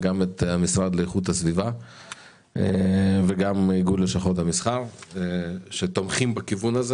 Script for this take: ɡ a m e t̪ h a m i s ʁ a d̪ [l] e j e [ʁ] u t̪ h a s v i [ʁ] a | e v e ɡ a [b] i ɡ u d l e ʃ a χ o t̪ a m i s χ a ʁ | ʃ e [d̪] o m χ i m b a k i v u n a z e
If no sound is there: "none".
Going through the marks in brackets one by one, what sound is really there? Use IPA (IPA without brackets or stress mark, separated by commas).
l, χ, v, m, t̪